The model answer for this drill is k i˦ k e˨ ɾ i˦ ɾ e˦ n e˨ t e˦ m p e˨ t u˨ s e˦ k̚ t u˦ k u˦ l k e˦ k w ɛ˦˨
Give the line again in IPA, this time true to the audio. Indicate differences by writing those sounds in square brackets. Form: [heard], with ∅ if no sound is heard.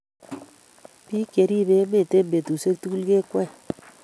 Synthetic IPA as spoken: [p] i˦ k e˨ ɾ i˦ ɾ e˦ [m] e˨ t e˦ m [b] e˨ t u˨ s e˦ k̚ t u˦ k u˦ l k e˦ k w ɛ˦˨

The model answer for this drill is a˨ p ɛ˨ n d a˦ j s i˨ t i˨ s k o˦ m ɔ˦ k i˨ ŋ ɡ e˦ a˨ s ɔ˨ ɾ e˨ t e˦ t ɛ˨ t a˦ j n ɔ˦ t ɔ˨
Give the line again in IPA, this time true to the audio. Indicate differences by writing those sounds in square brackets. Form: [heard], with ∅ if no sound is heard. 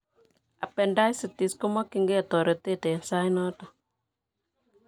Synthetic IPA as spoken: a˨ p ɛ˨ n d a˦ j s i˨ t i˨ s k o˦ m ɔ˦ k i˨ ŋ ɡ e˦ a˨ [t] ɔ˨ ɾ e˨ t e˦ t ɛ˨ [s] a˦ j n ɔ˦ t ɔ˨

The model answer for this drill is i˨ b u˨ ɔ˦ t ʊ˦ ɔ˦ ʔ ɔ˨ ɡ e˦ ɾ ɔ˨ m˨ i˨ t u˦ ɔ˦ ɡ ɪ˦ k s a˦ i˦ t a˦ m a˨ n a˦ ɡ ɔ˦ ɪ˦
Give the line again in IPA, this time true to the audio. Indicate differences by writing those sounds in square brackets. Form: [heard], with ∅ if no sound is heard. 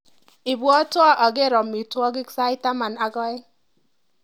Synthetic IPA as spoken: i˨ b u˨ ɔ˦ t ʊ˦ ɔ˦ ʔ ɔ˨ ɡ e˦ ɾ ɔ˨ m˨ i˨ t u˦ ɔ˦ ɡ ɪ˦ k s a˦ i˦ t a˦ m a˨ n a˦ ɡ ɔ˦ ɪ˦

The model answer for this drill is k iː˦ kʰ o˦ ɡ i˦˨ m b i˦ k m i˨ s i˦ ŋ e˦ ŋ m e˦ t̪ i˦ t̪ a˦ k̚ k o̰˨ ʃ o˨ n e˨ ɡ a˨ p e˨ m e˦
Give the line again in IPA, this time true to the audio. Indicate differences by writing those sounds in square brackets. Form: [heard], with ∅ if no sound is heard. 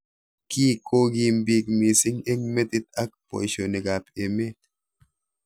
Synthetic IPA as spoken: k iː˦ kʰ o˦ ɡ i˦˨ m b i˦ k m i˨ s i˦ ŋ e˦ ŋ m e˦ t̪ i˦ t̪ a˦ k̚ [p] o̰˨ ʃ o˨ n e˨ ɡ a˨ p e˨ m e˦

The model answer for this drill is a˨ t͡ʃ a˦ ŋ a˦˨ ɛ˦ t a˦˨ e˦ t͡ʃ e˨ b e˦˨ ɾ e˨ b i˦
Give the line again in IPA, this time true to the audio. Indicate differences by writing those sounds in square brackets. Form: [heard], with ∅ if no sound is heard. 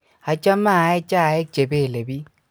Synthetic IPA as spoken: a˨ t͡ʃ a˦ [m] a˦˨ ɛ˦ [t͡ʃ] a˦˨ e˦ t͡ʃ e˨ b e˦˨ [l] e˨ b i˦

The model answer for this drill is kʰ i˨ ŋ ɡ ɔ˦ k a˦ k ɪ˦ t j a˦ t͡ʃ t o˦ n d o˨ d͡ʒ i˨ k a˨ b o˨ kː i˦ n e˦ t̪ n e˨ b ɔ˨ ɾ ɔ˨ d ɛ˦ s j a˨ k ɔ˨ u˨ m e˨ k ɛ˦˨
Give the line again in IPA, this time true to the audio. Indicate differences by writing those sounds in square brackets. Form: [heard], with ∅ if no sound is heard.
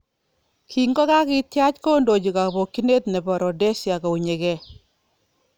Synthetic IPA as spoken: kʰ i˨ ŋ ɡ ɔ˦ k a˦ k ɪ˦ t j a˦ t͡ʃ [k] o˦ n d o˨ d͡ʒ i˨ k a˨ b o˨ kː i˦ n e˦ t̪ n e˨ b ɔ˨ ɾ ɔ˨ d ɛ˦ s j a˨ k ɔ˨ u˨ [ɲ] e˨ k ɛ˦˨

